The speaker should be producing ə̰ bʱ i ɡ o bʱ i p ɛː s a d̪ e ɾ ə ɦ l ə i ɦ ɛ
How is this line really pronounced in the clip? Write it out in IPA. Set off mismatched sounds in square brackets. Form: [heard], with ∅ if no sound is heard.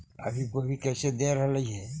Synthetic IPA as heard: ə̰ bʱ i [k] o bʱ i [k] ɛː s [e] d̪ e ɾ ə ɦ l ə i ɦ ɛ